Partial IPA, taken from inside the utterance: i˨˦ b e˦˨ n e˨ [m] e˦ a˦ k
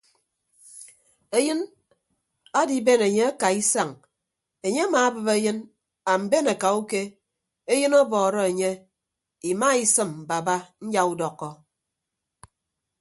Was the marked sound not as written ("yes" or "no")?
yes